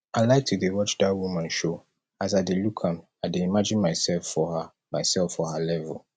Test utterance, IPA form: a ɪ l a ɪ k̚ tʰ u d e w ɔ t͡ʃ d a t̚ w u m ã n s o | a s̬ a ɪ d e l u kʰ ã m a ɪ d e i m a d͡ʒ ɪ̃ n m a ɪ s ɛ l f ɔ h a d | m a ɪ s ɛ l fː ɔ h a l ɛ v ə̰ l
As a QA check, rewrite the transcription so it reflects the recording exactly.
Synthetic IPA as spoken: a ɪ l a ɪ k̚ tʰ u d e w ɔ t͡ʃ d a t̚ w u m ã n ʃ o | a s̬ a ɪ d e l u kʰ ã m a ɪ d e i m a d͡ʒ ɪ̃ n m a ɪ s ɛ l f ɔ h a | m a ɪ s ɛ l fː ɔ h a l ɛ v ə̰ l

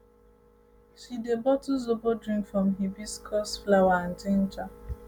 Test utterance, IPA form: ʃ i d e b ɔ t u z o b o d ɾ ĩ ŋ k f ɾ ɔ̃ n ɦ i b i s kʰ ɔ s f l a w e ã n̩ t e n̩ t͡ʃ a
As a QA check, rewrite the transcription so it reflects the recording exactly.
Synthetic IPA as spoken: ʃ i d e b ɔ t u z o b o d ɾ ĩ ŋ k f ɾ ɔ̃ m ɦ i b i s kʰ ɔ s f l a w a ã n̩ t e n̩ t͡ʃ a

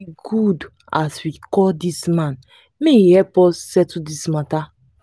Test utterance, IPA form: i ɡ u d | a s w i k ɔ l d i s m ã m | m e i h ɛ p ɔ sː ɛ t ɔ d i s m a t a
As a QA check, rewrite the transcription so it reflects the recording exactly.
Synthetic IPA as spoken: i ɡ u d | a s w i k ɔ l d i s m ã n | m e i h ɛ p ɔ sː ɛ t u d i s m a t a

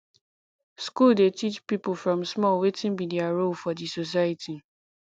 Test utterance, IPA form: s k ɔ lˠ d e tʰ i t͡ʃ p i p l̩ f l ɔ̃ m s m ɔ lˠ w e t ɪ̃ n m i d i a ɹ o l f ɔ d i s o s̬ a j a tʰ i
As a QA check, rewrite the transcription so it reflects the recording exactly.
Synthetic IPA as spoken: s k u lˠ d e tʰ i t͡ʃ p i p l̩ f ɹ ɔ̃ m s m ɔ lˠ w e t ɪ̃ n m i d i a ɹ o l f ɔ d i s o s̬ a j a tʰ i

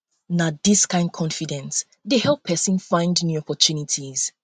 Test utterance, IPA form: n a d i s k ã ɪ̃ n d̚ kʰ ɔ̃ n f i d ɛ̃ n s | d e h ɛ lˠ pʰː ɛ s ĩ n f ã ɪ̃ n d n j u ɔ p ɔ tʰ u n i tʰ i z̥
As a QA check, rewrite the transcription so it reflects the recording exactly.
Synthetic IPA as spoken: n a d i s k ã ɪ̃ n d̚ kʰ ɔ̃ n f i d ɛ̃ n s | d e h ɛ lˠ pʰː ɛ s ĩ n f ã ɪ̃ n d n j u ɔ p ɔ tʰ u n i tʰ i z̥

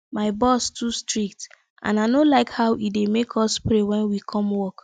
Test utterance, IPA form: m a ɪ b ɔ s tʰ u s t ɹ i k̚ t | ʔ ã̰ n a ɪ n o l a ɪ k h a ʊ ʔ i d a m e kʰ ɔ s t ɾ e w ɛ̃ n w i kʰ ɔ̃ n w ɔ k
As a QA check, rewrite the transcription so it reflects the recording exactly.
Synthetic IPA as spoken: m a ɪ b ɔ s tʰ u s t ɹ i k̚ t | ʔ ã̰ n a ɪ n o l a ɪ k h a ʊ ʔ i d e m e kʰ ɔ s p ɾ e w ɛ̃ n w i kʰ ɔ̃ m w ɔ k

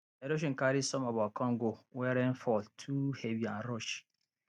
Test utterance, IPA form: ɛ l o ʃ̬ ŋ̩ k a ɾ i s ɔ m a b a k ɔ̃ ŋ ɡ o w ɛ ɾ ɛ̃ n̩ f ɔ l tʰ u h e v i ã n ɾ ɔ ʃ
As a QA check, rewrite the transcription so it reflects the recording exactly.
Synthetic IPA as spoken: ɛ ɾ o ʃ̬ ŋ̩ k a ɾ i s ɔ m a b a k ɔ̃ ŋ ɡ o w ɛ ɾ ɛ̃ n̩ f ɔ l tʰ u h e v i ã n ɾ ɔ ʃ

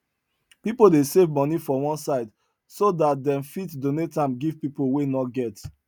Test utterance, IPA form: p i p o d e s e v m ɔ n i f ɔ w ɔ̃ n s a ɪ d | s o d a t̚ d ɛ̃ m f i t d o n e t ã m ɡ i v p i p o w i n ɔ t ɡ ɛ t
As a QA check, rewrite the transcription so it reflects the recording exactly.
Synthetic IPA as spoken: p i p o d e s e v m ɔ n i f ɔ w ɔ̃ n s a ɪ d | s o d a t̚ d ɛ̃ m f i t d o n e t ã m ɡ i v p i p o w e n ɔ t ɡ ɛ t

